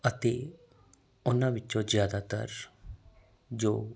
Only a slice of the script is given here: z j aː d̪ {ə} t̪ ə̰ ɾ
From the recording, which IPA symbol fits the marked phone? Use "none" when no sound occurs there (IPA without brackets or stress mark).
a